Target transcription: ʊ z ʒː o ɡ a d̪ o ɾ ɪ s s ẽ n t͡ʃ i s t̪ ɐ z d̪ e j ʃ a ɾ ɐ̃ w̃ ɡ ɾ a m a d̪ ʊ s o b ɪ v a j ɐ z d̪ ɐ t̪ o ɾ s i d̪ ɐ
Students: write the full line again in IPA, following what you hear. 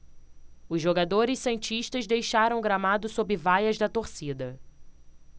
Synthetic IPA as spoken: ʊ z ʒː o ɡ a d̪ o ɾ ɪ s s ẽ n t͡ʃ i ʃ t̪ ɐ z d̪ e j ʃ a ɾ ɐ̃ w̃ ɡ ɾ a m a d̪ ʊ s o b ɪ v a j ɐ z d̪ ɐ t̪ o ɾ s i d̪ ɐ